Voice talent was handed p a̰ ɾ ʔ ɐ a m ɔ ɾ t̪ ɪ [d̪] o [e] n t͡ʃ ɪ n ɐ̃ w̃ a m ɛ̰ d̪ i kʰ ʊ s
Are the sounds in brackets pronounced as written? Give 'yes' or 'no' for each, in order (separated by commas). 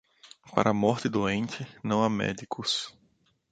yes, no